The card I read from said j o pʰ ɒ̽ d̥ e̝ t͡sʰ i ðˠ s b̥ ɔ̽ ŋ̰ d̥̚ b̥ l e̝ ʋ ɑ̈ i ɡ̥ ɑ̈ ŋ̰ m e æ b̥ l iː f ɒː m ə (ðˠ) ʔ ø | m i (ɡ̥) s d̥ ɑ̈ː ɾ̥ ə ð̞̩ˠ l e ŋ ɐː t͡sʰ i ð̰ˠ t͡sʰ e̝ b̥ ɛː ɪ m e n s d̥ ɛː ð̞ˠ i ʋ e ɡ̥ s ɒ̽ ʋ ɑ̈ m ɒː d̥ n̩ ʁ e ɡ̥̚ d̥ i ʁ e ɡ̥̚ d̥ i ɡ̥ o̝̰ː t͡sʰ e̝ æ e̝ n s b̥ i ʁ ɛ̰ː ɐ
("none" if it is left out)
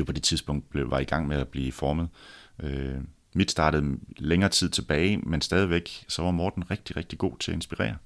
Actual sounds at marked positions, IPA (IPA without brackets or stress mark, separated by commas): ðˠ, d̥